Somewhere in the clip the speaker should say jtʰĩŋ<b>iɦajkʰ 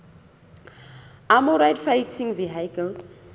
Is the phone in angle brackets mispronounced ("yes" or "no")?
yes